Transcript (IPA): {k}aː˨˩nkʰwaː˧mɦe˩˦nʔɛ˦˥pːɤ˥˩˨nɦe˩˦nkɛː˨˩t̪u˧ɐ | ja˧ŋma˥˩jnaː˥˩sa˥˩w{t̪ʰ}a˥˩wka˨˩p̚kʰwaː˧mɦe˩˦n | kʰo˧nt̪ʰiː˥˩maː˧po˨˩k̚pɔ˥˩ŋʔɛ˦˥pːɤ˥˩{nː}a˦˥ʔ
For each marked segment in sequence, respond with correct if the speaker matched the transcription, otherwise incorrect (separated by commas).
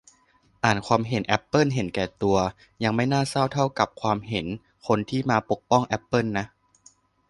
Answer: incorrect, correct, correct